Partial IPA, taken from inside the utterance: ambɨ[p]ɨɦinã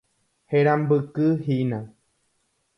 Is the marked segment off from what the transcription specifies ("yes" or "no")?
yes